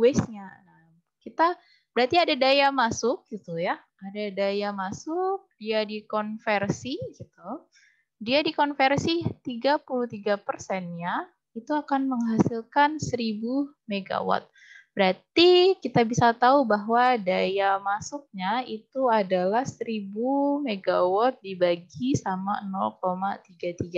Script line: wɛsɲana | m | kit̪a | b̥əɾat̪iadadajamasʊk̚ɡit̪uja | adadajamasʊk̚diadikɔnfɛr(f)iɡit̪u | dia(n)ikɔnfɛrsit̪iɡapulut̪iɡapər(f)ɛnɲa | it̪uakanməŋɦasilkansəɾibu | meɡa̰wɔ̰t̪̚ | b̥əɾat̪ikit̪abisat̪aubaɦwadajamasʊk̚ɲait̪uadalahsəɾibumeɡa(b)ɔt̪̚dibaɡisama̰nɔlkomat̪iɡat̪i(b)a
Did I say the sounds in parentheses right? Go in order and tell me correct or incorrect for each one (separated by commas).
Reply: incorrect, incorrect, incorrect, incorrect, incorrect